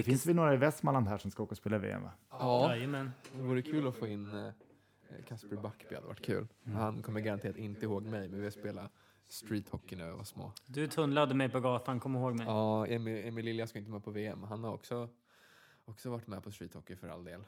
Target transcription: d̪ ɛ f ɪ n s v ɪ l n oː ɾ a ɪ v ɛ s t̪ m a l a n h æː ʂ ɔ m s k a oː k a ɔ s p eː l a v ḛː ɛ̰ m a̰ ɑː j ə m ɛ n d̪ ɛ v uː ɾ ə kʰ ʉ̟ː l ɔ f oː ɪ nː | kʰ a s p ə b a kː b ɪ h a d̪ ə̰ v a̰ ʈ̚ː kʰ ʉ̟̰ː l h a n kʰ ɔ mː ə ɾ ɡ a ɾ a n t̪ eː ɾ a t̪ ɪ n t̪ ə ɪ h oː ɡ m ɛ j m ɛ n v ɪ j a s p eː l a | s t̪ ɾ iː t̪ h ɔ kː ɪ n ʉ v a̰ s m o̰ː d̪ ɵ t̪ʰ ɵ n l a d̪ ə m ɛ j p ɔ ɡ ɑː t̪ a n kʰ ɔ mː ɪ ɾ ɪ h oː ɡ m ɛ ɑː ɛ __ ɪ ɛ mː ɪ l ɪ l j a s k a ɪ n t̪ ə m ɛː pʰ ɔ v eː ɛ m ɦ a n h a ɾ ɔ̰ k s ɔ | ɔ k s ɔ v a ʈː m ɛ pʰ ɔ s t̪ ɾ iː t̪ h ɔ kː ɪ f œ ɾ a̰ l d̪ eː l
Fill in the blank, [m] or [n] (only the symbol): m